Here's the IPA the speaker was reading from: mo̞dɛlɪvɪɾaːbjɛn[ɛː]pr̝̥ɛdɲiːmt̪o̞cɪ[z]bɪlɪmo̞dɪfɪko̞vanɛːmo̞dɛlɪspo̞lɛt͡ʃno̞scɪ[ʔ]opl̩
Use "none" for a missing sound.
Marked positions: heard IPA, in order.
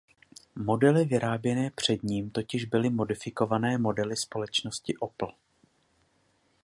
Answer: ɛː, ʒ, ʔ

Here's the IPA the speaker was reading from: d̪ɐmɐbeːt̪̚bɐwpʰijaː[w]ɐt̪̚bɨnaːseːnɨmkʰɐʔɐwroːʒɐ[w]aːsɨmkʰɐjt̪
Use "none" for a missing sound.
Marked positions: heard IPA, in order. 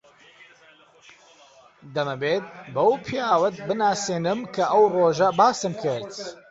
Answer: w, b

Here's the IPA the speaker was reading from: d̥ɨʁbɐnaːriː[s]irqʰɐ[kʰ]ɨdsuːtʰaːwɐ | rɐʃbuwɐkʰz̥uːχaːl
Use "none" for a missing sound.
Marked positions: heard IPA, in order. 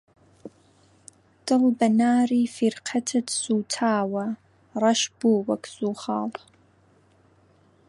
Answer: f, tʰ

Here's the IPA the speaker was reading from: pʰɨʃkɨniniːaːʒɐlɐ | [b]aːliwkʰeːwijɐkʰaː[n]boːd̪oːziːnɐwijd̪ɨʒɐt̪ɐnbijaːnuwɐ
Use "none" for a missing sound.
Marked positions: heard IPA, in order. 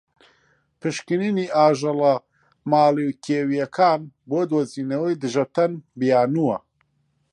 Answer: m, n

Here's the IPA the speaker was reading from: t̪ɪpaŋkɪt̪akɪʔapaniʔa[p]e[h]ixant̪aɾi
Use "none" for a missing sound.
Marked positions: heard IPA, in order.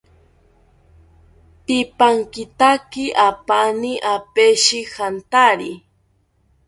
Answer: p, ʃ

